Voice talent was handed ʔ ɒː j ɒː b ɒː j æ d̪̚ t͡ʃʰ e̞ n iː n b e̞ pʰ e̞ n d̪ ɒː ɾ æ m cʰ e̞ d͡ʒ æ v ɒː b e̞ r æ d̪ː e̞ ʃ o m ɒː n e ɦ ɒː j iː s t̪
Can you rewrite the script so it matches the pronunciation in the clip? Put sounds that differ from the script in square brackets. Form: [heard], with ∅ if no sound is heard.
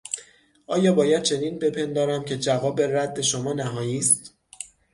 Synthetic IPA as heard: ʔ ɒː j ɒː b ɒː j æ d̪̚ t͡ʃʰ e̞ n iː n b e̞ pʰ e̞ n d̪ ɒː ɾ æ m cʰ e̞ d͡ʒ æ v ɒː b e̞ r æ d̪ː e̞ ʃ o m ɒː n [æ] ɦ ɒː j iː s t̪